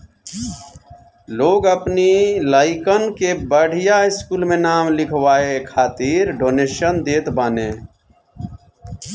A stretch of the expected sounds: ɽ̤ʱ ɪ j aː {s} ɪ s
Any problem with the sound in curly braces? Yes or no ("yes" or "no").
yes